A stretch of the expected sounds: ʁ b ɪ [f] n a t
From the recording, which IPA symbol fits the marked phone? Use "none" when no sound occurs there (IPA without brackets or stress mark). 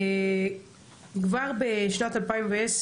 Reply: ʃ